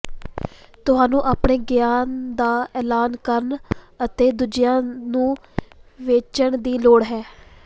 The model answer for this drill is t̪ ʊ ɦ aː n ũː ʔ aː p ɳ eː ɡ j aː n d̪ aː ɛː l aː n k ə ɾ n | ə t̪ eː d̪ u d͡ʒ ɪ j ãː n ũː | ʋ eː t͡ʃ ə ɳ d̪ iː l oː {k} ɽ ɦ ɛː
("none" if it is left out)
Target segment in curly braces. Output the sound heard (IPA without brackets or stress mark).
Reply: none